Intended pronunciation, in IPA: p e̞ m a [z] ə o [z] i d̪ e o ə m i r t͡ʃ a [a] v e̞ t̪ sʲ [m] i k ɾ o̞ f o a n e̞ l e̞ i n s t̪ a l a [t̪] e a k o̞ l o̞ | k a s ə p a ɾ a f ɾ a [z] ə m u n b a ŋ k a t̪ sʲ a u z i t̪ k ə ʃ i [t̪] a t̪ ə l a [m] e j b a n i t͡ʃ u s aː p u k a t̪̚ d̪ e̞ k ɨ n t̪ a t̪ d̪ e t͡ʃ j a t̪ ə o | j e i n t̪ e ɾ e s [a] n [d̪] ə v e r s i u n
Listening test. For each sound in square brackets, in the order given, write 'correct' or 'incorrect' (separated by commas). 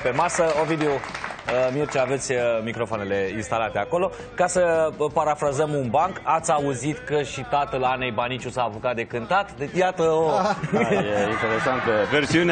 incorrect, incorrect, correct, correct, correct, correct, correct, incorrect, correct, incorrect